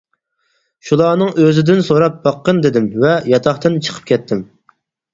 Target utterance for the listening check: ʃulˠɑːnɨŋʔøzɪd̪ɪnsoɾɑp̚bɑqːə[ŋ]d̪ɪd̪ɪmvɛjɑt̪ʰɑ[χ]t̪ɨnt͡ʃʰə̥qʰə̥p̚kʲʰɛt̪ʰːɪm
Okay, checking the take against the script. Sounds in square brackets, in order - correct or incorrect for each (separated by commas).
incorrect, correct